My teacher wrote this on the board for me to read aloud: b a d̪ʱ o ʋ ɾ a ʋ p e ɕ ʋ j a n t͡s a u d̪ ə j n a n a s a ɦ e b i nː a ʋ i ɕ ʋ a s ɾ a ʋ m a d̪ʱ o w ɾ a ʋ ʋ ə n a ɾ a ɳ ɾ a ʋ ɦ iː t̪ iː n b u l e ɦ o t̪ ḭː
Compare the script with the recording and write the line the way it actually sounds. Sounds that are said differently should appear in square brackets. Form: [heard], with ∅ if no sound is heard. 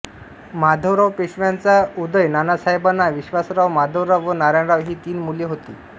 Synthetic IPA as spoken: [m] a d̪ʱ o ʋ ɾ a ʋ p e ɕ ʋ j a n t͡s a u d̪ ə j n a n a s a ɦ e b [a] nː a ʋ i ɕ ʋ a s ɾ a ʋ m a d̪ʱ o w ɾ a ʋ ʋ ə n a ɾ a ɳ ɾ a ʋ ɦ iː t̪ iː n [m] u l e ɦ o t̪ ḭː